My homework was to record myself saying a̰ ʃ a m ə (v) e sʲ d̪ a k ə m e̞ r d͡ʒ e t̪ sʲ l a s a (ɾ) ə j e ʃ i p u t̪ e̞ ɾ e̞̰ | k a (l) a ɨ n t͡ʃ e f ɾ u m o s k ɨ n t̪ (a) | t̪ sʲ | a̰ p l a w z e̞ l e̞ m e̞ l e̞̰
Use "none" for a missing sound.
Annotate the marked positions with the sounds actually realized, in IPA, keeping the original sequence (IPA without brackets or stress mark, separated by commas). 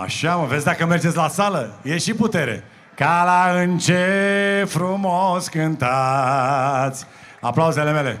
v, l, l, a